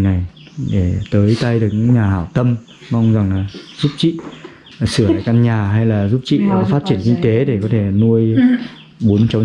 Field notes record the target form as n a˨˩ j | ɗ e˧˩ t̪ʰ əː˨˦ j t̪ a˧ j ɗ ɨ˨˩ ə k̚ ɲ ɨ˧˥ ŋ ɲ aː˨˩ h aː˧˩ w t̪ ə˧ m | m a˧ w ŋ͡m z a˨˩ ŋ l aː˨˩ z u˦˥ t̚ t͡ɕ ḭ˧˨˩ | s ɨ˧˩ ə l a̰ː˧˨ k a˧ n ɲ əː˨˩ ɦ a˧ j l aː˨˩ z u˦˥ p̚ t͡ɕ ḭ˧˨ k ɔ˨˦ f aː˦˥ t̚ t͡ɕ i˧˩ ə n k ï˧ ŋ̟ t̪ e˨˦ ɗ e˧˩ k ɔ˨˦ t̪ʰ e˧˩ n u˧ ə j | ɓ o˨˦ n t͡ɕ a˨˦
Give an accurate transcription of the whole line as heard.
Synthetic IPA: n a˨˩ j | ɗ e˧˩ t̪ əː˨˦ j t̪ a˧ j ɗ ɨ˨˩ ə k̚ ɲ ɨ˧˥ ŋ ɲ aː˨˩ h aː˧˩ w t̪ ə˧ m | m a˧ w ŋ͡m z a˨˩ ŋ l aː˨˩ z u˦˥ p̚ t͡ɕ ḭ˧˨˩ | s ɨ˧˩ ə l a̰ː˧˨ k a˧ n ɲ aː˨˩ ɦ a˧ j l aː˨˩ z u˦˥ p̚ t͡ɕ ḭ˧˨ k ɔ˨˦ f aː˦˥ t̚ t͡ɕ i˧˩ ə n k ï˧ ŋ̟ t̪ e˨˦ ɗ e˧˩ k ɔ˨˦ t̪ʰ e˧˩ n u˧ ə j | ɓ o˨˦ n t͡ɕ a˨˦